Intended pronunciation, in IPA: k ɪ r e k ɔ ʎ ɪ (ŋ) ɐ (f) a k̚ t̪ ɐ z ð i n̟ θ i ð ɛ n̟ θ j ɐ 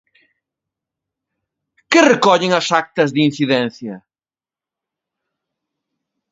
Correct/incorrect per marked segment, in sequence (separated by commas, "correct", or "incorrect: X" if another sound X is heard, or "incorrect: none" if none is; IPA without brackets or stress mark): correct, incorrect: s